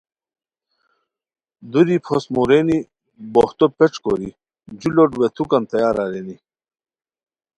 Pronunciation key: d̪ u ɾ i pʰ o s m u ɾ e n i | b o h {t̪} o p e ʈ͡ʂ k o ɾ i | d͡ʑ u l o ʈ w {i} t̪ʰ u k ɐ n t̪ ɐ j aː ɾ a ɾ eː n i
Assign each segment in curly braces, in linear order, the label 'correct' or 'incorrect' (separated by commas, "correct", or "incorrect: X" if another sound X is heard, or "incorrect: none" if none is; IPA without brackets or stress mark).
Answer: correct, incorrect: e